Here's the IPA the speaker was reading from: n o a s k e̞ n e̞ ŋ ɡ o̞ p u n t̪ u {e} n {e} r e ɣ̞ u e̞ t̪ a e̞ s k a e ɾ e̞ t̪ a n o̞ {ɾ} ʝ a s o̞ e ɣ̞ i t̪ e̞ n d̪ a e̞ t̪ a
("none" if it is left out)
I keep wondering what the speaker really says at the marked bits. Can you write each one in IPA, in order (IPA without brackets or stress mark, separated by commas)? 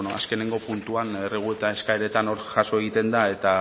a, e, ɾ